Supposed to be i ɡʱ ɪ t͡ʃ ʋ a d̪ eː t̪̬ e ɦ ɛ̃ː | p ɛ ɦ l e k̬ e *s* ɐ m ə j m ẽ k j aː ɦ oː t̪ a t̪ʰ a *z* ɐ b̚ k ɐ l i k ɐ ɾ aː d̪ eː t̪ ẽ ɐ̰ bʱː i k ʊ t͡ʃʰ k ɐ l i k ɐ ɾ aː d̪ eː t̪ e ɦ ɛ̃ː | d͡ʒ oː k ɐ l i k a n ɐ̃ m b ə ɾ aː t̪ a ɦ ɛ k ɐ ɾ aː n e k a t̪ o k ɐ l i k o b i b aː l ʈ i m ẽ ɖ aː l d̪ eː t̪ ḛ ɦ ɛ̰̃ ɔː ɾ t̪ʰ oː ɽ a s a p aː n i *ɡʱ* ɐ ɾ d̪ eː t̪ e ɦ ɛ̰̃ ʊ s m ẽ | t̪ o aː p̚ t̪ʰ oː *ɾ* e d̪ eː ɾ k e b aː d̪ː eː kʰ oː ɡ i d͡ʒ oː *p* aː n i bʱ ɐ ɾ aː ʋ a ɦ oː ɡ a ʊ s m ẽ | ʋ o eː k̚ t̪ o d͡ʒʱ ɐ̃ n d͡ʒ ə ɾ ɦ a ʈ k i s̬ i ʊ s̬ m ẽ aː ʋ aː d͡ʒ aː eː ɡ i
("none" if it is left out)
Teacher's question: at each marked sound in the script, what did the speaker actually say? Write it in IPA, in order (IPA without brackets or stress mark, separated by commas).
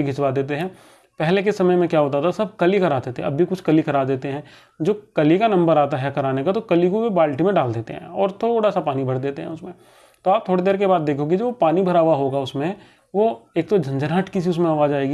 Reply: s, s, bʱ, ɽ, p